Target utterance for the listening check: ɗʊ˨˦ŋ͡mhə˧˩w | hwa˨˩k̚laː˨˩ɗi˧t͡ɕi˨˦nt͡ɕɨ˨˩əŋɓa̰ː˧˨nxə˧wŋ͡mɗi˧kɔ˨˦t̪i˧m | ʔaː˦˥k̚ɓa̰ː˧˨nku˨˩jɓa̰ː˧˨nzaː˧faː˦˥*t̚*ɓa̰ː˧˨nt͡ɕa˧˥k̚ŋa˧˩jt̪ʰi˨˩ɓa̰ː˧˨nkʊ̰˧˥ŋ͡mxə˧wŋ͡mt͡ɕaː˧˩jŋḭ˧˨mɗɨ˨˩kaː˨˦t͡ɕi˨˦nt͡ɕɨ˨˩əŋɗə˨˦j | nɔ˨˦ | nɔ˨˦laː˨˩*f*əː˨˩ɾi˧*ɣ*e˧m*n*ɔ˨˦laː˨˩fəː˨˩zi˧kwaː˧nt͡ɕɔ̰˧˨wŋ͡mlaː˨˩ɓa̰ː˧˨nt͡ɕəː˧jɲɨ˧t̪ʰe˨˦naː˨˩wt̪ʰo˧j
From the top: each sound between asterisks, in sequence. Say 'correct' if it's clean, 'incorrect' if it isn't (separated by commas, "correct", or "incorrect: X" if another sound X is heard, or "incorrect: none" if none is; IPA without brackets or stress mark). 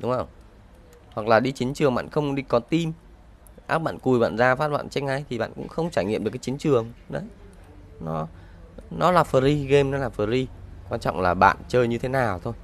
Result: correct, correct, correct, correct